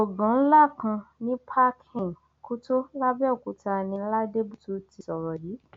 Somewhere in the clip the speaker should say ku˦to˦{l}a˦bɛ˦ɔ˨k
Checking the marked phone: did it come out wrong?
no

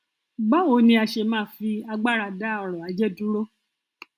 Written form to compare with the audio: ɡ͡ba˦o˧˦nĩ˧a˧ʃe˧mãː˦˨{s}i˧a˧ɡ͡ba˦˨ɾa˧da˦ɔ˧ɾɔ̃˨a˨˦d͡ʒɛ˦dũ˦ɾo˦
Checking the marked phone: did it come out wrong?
yes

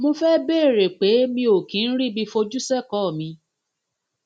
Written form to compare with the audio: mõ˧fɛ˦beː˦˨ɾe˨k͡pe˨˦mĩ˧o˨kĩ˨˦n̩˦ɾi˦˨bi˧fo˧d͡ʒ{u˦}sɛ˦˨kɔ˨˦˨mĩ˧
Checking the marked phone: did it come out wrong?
no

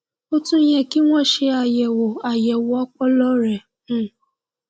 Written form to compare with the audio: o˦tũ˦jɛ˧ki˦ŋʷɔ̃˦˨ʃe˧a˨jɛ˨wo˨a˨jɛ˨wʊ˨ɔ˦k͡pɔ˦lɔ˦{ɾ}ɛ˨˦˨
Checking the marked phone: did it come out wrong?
no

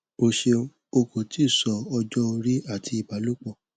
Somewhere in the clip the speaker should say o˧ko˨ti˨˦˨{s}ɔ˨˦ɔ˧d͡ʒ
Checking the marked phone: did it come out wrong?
no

